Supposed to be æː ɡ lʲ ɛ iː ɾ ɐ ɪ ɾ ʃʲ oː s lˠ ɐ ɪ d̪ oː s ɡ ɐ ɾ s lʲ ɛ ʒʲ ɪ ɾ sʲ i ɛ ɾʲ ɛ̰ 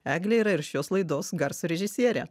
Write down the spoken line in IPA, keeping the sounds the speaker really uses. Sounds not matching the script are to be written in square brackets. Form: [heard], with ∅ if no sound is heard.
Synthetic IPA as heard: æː ɡ lʲ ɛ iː ɾ ɐ ɪ ɾ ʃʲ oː s lˠ ɐ ɪ d̪ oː s ɡ ɐ ɾ s [ɾʲ] ɛ ʒʲ ɪ [∅] sʲ i ɛ ɾʲ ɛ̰